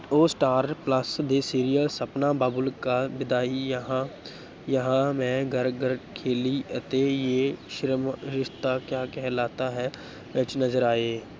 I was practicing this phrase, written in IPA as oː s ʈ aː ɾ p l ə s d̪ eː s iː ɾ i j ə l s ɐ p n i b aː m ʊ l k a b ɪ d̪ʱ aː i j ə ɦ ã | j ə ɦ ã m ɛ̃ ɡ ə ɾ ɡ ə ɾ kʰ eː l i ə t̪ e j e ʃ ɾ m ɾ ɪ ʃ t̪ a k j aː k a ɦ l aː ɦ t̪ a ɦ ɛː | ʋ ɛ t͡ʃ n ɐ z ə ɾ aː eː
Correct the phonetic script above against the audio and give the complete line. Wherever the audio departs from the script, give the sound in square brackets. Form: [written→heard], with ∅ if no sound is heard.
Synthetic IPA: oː s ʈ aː ɾ p l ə s d̪ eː s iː ɾ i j ə l s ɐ p n [i→a] b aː [m→b] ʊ l k a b ɪ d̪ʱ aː i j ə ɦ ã | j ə ɦ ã m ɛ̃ ɡ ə ɾ ɡ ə ɾ kʰ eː l i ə t̪ e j e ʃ ɾ m ɾ ɪ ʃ t̪ a k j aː k [a→ɛ] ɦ l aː [ɦ→∅] t̪ a ɦ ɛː | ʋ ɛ t͡ʃ n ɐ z ə ɾ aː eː